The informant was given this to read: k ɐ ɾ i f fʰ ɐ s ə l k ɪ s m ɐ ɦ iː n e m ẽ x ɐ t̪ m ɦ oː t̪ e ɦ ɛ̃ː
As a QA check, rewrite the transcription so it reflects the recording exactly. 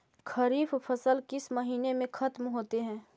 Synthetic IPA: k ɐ ɾ iː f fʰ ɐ s ə l k ɪ s m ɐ ɦ iː n e m ẽ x ɐ t̪ m ɦ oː t̪ e ɦ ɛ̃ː